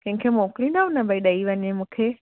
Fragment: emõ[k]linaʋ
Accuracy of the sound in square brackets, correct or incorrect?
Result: correct